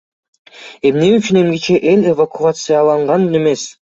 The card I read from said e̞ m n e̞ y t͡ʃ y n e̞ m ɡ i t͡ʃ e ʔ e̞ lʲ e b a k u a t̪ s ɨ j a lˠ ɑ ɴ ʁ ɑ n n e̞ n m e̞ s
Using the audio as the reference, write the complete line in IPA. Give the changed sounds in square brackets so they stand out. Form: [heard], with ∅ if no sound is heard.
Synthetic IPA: e̞ m n e̞ y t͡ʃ y n e̞ m ɡ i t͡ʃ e ʔ e̞ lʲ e [v] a k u a t̪ s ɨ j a lˠ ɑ ɴ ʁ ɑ n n e̞ [∅] m e̞ s

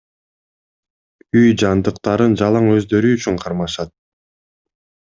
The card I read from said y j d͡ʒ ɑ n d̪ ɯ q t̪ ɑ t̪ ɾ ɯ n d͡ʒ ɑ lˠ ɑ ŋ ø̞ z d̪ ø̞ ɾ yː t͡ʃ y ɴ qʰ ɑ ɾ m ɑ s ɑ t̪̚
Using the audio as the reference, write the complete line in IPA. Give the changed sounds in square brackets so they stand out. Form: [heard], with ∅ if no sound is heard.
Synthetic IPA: y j d͡ʒ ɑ n d̪ ɯ q t̪ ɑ [∅] ɾ ɯ n d͡ʒ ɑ lˠ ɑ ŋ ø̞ z d̪ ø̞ ɾ yː t͡ʃ y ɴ qʰ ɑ ɾ m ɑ [ʃ] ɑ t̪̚

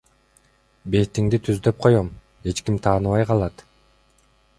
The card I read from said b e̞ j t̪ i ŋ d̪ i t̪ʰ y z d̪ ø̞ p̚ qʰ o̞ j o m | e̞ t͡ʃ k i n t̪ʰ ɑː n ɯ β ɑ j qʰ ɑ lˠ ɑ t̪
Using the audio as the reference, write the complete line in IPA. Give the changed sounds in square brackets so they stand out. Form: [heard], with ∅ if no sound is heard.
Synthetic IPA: b e̞ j t̪ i ŋ d̪ i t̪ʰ y z d̪ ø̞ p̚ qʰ o̞ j o m | e̞ t͡ʃ k i [m] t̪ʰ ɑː n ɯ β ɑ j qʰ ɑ lˠ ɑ t̪

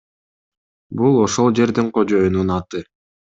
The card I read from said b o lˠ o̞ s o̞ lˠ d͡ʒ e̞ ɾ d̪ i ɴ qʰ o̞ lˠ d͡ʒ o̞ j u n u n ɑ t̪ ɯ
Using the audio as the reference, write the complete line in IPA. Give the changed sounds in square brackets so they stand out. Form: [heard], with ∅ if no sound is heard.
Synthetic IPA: b [u] lˠ o̞ [ʃ] o̞ lˠ d͡ʒ e̞ ɾ d̪ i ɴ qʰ o̞ [∅] d͡ʒ o̞ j u n u n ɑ t̪ ɯ

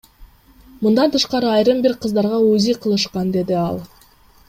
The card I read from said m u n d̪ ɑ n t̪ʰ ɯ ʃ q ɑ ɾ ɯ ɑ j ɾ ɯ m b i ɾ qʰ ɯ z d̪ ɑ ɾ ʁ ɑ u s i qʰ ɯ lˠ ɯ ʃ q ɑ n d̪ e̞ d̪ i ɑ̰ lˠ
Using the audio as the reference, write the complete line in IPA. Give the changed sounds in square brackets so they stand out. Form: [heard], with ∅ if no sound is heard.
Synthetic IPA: m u n d̪ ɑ n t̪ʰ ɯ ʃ q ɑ ɾ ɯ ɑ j ɾ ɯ m b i ɾ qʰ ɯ z d̪ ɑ ɾ ʁ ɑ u [z] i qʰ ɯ lˠ ɯ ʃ q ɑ n d̪ e̞ d̪ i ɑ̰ lˠ

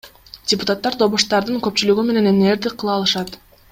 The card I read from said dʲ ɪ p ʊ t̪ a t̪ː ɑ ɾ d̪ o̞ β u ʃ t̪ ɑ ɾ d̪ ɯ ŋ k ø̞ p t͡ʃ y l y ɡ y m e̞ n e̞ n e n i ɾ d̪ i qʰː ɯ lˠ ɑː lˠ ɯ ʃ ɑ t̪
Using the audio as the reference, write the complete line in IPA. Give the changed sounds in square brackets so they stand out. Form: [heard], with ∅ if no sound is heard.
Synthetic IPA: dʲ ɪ p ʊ t̪ a t̪ː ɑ ɾ d̪ o̞ β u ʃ t̪ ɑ ɾ d̪ ɯ ŋ k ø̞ p t͡ʃ y l y ɡ y m e̞ n e̞ n e n [e] ɾ d̪ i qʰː ɯ lˠ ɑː lˠ ɯ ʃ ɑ t̪

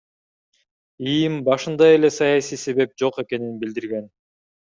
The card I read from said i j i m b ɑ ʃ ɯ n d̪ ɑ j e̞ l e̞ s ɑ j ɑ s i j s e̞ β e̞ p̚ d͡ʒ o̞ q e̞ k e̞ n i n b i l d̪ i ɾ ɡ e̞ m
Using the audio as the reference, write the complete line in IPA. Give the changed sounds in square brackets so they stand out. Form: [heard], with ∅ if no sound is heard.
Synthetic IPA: i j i m b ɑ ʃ ɯ n d̪ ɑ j e̞ l e̞ s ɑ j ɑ s i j s e̞ β e̞ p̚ d͡ʒ o̞ q e̞ k e̞ n i n b i l d̪ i ɾ ɡ e̞ [n]

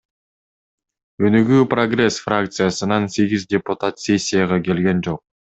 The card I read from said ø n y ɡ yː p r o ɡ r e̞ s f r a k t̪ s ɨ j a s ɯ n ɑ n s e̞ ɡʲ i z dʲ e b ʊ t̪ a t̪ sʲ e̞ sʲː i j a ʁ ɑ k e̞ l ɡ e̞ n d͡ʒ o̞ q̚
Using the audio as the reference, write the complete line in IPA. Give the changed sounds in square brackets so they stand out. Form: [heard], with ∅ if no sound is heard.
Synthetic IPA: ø n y ɡ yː p r o ɡ r e̞ s f r a k t̪ s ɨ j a s ɯ n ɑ n s e̞ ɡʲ i z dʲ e [p] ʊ t̪ a t̪ sʲ e̞ sʲː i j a ʁ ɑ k e̞ l ɡ e̞ n d͡ʒ o̞ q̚

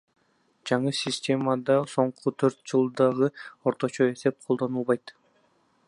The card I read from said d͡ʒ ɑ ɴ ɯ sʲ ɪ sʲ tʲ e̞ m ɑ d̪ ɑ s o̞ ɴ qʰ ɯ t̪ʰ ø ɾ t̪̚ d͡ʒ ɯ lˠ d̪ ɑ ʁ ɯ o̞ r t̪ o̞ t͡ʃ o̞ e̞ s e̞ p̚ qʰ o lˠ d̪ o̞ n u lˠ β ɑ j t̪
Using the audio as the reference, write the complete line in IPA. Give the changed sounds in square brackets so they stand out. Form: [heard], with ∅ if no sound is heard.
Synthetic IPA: d͡ʒ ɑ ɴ ɯ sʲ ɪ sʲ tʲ e̞ m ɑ d̪ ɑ s o̞ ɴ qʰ [u] t̪ʰ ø ɾ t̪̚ d͡ʒ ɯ lˠ d̪ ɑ ʁ ɯ o̞ [ɾ] t̪ o̞ t͡ʃ o̞ e̞ s e̞ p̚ qʰ o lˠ d̪ o̞ n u lˠ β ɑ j t̪

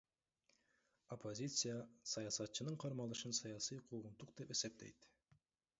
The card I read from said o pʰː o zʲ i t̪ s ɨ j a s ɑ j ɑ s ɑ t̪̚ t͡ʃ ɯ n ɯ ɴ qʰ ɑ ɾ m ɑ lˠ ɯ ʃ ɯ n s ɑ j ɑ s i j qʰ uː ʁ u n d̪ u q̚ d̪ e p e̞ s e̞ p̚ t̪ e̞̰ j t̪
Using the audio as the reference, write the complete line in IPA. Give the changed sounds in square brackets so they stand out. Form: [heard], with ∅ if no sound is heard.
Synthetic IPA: o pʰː o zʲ i t̪ s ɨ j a s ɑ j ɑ s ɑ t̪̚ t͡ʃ ɯ n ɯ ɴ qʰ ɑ ɾ m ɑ lˠ ɯ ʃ ɯ n s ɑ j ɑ s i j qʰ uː ʁ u n [t̪] u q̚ d̪ e p e̞ s e̞ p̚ t̪ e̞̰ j t̪

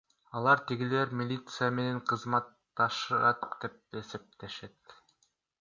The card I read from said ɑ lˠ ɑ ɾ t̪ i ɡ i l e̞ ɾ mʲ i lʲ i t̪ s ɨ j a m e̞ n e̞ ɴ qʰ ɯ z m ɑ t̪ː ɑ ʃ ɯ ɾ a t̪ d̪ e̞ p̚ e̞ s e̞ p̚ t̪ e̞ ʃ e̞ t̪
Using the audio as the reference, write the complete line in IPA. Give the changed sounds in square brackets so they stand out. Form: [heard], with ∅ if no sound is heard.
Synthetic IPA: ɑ lˠ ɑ ɾ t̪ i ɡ i l e̞ ɾ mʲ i lʲ i t̪ s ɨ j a m e̞ n e̞ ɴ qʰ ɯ z m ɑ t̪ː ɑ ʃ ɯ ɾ [ɑ] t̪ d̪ e̞ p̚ e̞ s e̞ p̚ t̪ e̞ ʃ e̞ t̪

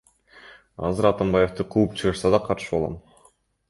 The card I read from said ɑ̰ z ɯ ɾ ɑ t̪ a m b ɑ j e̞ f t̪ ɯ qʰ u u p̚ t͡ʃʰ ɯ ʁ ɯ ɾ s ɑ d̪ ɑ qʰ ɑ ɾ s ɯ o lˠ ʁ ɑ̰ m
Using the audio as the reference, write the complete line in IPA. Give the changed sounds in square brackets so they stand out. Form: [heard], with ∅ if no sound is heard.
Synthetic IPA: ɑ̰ z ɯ ɾ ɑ t̪ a m b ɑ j e̞ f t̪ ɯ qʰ u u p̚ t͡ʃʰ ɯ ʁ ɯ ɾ s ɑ d̪ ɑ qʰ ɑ ɾ [ʃ] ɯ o lˠ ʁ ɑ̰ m

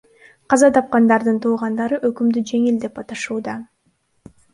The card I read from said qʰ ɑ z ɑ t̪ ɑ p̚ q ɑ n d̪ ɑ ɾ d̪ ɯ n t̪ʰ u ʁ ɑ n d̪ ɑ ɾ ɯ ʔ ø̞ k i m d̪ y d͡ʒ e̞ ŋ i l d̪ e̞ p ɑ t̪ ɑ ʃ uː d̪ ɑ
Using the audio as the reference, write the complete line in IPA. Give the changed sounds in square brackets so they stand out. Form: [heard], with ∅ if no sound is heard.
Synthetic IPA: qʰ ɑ z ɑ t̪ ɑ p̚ q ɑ n d̪ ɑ ɾ d̪ ɯ n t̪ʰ [uː] ʁ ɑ n d̪ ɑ ɾ ɯ ʔ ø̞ k [y] m d̪ y d͡ʒ e̞ ŋ i l d̪ e̞ p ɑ t̪ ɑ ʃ uː d̪ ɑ

